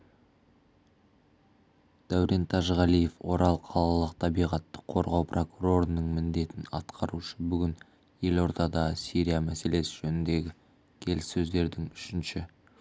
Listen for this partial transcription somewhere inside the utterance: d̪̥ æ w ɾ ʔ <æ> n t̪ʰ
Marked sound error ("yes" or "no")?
yes